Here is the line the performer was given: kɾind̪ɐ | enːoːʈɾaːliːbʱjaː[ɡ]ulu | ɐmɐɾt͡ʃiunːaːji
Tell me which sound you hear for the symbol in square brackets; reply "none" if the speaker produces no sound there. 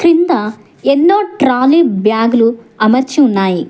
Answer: ɡ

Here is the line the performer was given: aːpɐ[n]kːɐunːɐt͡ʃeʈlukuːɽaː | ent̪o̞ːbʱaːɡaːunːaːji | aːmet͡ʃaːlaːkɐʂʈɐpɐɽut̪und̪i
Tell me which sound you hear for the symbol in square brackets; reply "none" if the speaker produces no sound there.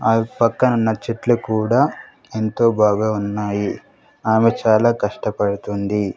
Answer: none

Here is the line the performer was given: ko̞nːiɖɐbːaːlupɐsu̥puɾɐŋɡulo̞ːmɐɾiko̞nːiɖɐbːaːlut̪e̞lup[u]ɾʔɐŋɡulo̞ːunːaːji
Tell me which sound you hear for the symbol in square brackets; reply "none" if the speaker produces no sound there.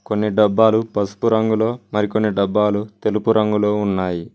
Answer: u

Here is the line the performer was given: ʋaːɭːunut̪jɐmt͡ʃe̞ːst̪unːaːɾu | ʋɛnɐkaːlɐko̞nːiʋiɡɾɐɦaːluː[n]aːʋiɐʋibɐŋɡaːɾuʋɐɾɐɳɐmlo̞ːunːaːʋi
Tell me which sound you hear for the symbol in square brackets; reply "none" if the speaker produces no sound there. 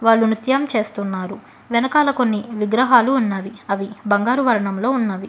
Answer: nː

